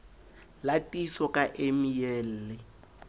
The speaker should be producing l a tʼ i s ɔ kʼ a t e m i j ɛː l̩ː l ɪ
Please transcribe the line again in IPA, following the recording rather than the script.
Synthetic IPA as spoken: l a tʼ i s ɔ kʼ a ʔ e m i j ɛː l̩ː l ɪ